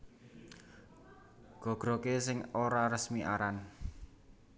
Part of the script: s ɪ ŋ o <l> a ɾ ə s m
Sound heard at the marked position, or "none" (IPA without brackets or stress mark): ɾ